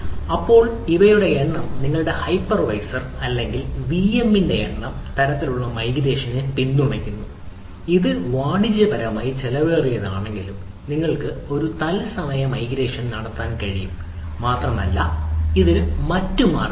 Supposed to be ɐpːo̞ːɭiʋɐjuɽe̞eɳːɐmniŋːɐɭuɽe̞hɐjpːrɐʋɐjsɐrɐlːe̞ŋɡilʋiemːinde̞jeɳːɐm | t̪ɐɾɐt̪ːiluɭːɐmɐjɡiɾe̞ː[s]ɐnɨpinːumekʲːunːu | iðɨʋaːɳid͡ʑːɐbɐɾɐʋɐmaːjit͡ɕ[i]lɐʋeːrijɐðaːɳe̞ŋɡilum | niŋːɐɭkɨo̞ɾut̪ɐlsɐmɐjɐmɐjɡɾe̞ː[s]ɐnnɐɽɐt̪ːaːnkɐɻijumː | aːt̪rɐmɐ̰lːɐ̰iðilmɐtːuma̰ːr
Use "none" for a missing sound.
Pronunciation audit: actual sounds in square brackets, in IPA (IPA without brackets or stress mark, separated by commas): ʂ, e, ʂ